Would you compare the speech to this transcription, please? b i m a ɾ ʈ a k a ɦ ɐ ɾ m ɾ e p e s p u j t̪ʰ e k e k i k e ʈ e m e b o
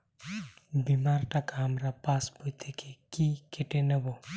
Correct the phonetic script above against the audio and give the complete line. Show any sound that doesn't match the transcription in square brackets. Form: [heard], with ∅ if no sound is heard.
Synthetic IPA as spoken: b i m a ɾ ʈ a k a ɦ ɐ [∅] m ɾ [a] p [a] s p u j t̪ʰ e k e k i k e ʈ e [n] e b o